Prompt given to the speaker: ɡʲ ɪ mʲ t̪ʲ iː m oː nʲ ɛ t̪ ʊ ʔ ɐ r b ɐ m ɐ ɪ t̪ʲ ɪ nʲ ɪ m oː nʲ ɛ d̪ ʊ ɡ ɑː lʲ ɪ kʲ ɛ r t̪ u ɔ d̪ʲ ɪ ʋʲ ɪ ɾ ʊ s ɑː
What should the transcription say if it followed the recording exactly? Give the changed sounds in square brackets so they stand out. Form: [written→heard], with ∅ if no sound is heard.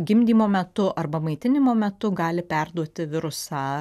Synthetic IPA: ɡʲ ɪ mʲ [t̪ʲ→d̪ʲ] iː m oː [nʲ→mʲ] ɛ t̪ ʊ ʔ ɐ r b ɐ m ɐ ɪ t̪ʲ ɪ nʲ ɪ m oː [nʲ→mʲ] ɛ [d̪→t̪] ʊ ɡ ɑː lʲ ɪ [kʲ→pʲ] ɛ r [t̪→d̪] u ɔ [d̪ʲ→t̪ʲ] ɪ ʋʲ ɪ ɾ ʊ s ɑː

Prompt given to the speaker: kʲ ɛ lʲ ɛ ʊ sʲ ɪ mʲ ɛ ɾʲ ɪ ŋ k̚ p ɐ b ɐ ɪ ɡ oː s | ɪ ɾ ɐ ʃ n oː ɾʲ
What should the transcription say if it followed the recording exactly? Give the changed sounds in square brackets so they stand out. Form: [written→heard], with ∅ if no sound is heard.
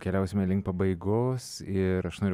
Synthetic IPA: kʲ ɛ lʲ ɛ ʊ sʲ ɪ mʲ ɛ [ɾʲ→lʲ] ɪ ŋ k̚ p ɐ b ɐ ɪ ɡ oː s | ɪ ɾ ɐ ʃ n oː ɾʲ

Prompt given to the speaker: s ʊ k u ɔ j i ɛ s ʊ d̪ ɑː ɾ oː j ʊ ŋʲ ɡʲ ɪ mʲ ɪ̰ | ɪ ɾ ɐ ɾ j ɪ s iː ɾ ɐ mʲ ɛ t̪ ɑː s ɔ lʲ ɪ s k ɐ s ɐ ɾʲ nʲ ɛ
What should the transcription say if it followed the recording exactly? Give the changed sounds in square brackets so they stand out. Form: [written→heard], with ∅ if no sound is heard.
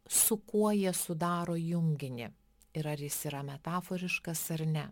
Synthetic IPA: s ʊ k u ɔ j i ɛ s ʊ d̪ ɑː ɾ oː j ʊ ŋʲ ɡʲ ɪ [mʲ→nʲ] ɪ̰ | ɪ ɾ ɐ ɾ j ɪ s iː ɾ ɐ mʲ ɛ t̪ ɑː [s→f] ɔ [lʲ→ɾʲ] ɪ [s→ʃ] k ɐ s ɐ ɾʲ nʲ ɛ

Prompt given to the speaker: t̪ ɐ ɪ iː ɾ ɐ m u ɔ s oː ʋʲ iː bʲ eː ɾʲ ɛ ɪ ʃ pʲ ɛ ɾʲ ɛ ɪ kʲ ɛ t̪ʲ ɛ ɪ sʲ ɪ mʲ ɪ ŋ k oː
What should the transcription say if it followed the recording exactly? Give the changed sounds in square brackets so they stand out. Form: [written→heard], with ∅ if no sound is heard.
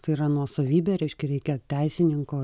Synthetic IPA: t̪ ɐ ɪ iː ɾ ɐ [m→n] u ɔ s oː ʋʲ iː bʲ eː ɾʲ ɛ ɪ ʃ [pʲ→kʲ] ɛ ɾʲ ɛ ɪ kʲ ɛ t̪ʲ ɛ ɪ sʲ ɪ [mʲ→nʲ] ɪ ŋ k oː

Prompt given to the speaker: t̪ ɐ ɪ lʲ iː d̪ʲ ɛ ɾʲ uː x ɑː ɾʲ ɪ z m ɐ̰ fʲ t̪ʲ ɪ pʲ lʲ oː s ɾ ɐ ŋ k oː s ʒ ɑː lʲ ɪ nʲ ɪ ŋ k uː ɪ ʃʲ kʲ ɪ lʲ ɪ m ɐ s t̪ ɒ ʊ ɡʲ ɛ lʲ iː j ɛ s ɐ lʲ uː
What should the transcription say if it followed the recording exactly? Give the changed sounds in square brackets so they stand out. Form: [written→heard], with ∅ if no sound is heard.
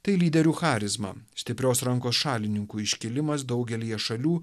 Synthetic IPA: t̪ ɐ ɪ lʲ iː d̪ʲ ɛ ɾʲ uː x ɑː ɾʲ ɪ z m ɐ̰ [fʲ→sʲ] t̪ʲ ɪ pʲ [lʲ→ɾʲ] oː s ɾ ɐ ŋ k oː s [ʒ→ʃ] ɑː lʲ ɪ nʲ ɪ ŋ k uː ɪ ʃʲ kʲ ɪ lʲ ɪ m ɐ s [t̪→d̪] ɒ ʊ ɡʲ ɛ lʲ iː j ɛ [s→ʃ] ɐ lʲ uː

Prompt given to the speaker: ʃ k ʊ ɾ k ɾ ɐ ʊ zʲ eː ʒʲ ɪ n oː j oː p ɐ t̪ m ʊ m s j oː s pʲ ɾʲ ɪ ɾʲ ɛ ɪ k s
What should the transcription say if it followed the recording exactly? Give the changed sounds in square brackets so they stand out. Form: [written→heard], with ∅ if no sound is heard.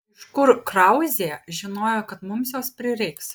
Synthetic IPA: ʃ k ʊ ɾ k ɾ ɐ ʊ zʲ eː ʒʲ ɪ n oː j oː [p→k] ɐ t̪ m ʊ m s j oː s pʲ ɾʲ ɪ ɾʲ ɛ ɪ k s

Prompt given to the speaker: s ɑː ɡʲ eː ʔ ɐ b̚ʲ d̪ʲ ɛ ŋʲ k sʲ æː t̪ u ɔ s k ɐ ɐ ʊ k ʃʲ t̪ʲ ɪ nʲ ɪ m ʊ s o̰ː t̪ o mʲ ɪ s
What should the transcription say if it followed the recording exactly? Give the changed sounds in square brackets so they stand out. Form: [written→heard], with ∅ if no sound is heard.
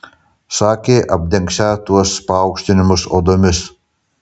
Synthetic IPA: s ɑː [ɡʲ→kʲ] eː ʔ ɐ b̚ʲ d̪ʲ ɛ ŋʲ k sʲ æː t̪ u ɔ s [k→p] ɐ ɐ ʊ k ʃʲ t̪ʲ ɪ nʲ ɪ m ʊ s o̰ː [t̪→d̪] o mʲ ɪ s

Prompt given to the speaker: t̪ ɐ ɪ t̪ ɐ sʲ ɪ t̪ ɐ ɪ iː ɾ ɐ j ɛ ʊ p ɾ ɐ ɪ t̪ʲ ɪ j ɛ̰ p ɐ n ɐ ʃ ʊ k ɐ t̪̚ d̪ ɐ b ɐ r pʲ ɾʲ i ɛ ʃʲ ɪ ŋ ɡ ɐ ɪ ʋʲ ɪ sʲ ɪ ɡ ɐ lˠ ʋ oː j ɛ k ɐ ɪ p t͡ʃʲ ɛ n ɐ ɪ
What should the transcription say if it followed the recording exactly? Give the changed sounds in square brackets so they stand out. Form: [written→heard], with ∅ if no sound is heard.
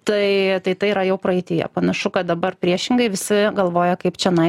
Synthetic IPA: t̪ ɐ ɪ t̪ ɐ [sʲ→∅] ɪ t̪ ɐ ɪ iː ɾ ɐ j ɛ ʊ p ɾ ɐ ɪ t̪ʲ ɪ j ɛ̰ p ɐ n ɐ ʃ ʊ k ɐ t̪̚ d̪ ɐ b ɐ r pʲ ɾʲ i ɛ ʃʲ ɪ ŋ ɡ ɐ ɪ ʋʲ ɪ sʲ ɪ ɡ ɐ lˠ ʋ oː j ɛ k ɐ ɪ p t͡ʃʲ ɛ n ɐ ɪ

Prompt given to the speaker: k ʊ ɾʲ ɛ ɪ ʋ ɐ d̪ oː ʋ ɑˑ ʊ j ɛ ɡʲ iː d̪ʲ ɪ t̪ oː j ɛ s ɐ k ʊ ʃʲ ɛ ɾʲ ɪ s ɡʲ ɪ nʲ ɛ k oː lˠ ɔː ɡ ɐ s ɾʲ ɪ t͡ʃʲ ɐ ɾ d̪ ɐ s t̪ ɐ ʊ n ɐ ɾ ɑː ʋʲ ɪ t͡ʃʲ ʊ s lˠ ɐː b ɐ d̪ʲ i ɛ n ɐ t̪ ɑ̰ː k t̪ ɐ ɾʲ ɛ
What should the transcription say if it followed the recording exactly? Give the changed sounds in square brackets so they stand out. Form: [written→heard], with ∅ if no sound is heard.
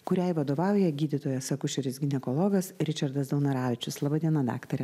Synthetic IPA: k ʊ ɾʲ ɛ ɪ ʋ ɐ d̪ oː ʋ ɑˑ ʊ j ɛ ɡʲ iː d̪ʲ ɪ t̪ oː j ɛ s ɐ k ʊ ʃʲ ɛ ɾʲ ɪ s ɡʲ ɪ nʲ ɛ k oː lˠ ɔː ɡ ɐ s ɾʲ ɪ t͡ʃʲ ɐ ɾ d̪ ɐ s [t̪→d̪] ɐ ʊ n ɐ ɾ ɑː ʋʲ ɪ t͡ʃʲ ʊ s lˠ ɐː b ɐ d̪ʲ i ɛ n ɐ [t̪→d̪] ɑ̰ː k t̪ ɐ ɾʲ ɛ

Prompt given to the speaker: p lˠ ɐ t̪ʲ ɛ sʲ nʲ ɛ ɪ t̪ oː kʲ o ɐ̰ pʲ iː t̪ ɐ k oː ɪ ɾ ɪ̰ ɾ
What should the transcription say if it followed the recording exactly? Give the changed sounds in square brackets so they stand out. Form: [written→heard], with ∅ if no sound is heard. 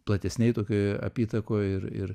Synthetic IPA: p lˠ ɐ t̪ʲ ɛ sʲ nʲ ɛ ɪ t̪ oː kʲ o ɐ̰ pʲ iː t̪ ɐ k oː ɪ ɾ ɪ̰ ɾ

